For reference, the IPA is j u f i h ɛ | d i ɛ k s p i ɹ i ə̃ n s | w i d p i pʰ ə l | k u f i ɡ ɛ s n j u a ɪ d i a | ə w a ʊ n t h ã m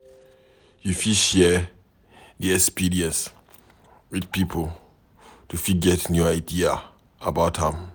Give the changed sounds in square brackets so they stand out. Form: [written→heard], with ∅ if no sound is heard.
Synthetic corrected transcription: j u f i [h→ʃ] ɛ | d i ɛ k s p i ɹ i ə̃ n s | w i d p i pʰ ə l | [k→t] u f i ɡ ɛ [s→t] n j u a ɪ d i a | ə [w→b] a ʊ [n→∅] t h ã m